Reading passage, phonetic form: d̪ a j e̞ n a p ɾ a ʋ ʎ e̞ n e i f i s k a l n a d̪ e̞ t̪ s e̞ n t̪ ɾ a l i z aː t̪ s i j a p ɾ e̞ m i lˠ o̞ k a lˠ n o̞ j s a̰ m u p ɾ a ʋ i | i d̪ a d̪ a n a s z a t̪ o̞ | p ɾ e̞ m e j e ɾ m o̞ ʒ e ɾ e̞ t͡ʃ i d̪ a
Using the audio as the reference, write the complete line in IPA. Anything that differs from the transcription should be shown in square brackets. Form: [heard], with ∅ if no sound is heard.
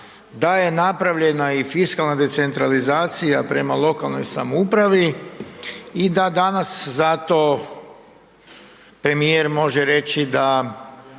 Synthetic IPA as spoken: d̪ a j e̞ n a p ɾ a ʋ ʎ e̞ n [a] i f i s k a l n a d̪ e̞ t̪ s e̞ n t̪ ɾ a l i z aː t̪ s i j a p ɾ e̞ m [a] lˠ o̞ k a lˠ n o̞ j s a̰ m u p ɾ a ʋ i | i d̪ a d̪ a n a s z a t̪ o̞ | p ɾ e̞ m [i] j e ɾ m o̞ ʒ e ɾ e̞ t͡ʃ i d̪ a